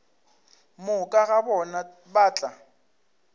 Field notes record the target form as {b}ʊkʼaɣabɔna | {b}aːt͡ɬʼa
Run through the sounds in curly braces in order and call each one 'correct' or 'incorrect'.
incorrect: m, correct

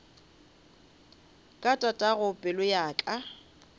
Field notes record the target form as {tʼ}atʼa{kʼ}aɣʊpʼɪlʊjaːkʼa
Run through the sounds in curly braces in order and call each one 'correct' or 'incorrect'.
incorrect: kʼ, incorrect: tʼ

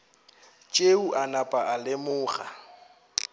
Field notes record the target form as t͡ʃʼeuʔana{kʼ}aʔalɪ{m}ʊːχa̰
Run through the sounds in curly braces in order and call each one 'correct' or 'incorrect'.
incorrect: pʼ, correct

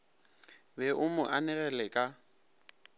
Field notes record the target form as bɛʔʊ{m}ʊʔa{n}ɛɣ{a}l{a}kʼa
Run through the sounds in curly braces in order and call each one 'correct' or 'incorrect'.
correct, correct, incorrect: ɛ, incorrect: ɛ

